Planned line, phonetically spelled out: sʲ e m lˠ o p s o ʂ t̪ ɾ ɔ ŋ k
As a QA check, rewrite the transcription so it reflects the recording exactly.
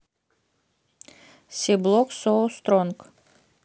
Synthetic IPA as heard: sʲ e b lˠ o k s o s t̪ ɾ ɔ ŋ k

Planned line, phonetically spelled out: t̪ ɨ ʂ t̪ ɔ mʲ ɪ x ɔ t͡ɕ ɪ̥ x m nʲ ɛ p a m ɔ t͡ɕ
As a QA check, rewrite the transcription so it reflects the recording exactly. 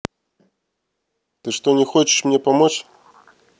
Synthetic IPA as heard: t̪ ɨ ʂ t̪ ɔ nʲ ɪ x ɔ t͡ɕ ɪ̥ ʂ m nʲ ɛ p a m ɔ t͡ɕ

